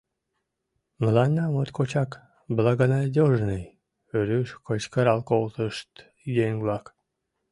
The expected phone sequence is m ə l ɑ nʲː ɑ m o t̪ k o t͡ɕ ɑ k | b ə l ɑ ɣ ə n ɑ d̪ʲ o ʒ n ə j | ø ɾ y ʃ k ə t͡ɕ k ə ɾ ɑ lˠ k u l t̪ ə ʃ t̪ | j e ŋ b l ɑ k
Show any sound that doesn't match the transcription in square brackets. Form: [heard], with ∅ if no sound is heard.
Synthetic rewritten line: m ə l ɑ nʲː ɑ m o t̪ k o t͡ɕ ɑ k | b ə l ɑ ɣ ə n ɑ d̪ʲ o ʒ n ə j | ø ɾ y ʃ k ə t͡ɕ k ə ɾ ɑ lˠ k [o] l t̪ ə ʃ t̪ | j e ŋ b l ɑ k

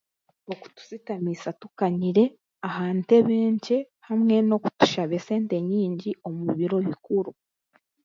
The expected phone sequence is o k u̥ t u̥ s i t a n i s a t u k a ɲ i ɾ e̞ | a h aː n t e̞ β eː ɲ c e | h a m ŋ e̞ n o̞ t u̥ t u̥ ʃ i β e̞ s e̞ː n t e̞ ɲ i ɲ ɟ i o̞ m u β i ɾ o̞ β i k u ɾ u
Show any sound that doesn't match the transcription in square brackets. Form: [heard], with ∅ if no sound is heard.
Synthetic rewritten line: o k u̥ t u̥ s i t a [m] i s a t u k a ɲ i ɾ e̞ | a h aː n t e̞ β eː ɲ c e | h a m ŋ e̞ n o̞ [k] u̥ t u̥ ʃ [a] β e̞ s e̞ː n t e̞ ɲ [iː] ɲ ɟ i o̞ m u β i ɾ o̞ β i k u ɾ u

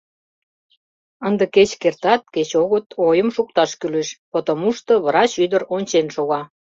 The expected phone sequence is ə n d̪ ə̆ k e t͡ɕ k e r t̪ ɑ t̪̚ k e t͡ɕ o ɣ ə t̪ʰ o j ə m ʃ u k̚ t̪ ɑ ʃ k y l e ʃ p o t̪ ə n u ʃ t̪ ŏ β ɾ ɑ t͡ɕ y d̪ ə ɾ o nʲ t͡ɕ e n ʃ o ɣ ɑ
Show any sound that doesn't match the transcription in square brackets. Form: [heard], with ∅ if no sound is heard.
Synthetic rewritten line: ə n d̪ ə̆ k e t͡ɕ k e r t̪ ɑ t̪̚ k e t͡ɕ o ɣ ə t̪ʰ o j ə m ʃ u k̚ t̪ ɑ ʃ k y l e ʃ p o t̪ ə [m] u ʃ t̪ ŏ β ɾ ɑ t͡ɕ y d̪ ə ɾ o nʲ t͡ɕ e n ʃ o ɣ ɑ

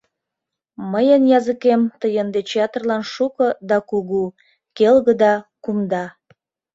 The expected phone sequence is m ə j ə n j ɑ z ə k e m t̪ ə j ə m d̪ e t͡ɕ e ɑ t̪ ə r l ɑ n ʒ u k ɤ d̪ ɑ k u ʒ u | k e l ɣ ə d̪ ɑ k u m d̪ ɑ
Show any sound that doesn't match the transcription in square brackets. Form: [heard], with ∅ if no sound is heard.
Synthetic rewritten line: m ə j ə n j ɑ z ə k e m t̪ ə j ə [n] d̪ e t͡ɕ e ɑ t̪ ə r l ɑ n [ʃ] u k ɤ d̪ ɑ k u [ɣ] u | k e l ɣ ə d̪ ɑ k u m d̪ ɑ

